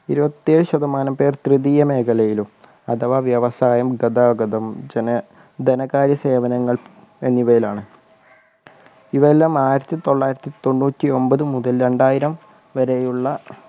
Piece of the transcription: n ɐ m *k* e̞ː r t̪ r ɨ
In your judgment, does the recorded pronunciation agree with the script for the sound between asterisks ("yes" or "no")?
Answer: no